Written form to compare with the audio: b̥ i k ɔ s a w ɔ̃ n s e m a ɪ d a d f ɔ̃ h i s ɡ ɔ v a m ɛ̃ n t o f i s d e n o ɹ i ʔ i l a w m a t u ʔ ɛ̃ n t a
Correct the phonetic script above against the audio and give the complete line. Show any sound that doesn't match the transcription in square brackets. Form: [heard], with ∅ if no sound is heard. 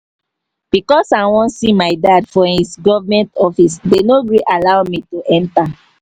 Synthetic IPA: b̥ i k ɔ s a w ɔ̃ n s [i] m a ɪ d a d f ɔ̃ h i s ɡ ɔ v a m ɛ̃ n t [ɔ] f i s d e n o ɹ i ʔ [a] l a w m [i] t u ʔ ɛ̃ n t a